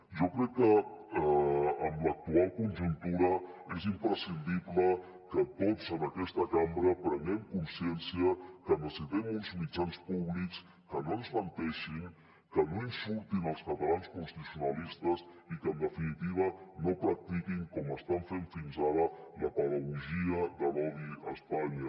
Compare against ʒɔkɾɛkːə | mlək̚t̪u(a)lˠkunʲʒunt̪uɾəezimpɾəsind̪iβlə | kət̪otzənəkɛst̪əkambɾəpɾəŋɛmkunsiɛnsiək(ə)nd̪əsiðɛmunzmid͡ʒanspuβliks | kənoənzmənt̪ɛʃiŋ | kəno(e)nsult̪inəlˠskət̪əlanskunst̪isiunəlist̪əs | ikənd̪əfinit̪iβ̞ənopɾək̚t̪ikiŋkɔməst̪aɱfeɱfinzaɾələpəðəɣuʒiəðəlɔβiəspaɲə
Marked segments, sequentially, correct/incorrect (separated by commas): correct, correct, incorrect